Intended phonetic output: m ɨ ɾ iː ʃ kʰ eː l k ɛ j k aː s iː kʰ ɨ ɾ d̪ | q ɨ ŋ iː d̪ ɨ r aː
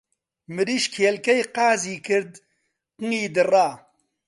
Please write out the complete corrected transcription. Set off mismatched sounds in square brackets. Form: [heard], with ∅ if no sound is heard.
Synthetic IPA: m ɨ ɾ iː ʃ kʰ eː l k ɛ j [q] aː [z] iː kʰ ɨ ɾ d̪ | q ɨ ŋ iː d̪ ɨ r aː